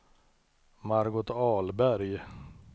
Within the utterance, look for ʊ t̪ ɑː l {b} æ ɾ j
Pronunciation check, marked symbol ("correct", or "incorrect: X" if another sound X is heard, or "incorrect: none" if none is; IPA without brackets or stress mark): correct